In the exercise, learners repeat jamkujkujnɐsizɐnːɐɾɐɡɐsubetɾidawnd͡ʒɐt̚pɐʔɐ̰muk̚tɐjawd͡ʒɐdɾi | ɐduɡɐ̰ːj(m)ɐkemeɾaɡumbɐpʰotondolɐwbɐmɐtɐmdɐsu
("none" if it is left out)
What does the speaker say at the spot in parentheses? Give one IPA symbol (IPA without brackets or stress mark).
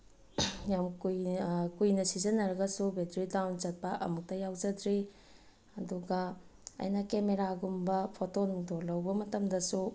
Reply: n